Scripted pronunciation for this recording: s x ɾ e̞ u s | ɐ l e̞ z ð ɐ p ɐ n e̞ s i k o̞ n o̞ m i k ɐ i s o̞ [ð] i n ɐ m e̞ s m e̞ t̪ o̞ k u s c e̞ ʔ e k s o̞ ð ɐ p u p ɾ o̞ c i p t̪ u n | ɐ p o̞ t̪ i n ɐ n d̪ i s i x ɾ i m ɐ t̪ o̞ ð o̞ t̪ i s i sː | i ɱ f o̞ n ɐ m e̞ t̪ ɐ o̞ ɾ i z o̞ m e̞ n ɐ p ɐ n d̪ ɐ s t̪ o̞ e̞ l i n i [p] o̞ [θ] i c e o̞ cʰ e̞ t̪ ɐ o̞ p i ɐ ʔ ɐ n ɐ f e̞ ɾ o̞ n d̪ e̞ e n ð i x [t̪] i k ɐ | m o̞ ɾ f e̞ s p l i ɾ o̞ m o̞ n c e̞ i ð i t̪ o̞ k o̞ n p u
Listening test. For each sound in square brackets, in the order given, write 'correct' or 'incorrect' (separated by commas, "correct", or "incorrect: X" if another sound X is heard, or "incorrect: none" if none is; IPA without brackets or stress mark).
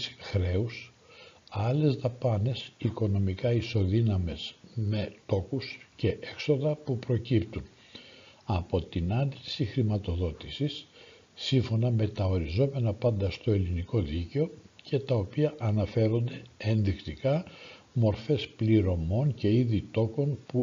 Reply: correct, incorrect: k, incorrect: ð, correct